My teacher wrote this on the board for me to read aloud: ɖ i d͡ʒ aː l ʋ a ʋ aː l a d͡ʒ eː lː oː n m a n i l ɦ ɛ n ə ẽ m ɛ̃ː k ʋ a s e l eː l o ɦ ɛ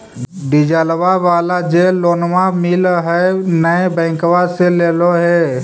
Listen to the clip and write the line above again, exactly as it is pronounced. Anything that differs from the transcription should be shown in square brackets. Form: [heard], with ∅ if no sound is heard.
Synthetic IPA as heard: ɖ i d͡ʒ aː l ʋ a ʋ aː l a d͡ʒ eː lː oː n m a [m] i l ɦ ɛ n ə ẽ [b] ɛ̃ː k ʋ a s e l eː l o ɦ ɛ